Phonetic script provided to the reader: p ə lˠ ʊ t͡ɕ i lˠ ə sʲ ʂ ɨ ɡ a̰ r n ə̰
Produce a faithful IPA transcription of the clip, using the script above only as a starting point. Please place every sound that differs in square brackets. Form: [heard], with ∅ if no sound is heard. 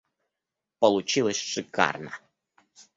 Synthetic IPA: p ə lˠ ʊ t͡ɕ i lˠ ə sʲ ʂ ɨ [k] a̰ r n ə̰